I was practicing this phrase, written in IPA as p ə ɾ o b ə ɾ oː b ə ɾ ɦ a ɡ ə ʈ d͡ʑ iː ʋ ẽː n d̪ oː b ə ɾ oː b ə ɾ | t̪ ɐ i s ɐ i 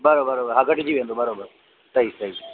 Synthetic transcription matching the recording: b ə ɾ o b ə ɾ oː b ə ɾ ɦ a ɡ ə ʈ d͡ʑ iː ʋ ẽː n d̪ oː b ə ɾ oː b ə ɾ | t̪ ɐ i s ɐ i